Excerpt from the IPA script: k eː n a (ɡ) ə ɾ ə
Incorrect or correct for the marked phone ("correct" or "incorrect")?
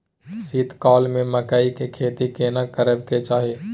incorrect